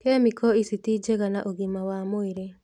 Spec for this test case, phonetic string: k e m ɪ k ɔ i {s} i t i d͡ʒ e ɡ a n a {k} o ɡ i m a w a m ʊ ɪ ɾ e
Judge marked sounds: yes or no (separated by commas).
yes, no